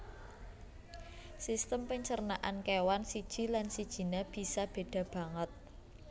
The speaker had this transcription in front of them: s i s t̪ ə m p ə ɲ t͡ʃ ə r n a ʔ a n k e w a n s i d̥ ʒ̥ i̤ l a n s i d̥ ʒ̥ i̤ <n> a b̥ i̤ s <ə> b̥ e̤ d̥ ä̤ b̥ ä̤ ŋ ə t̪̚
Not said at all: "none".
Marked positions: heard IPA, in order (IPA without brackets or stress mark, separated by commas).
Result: n, a